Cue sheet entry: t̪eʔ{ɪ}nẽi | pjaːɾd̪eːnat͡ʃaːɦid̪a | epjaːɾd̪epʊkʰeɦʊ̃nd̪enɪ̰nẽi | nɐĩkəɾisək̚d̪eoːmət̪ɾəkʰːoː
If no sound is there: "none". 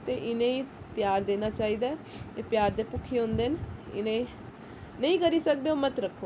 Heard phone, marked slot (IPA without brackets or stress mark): ɪ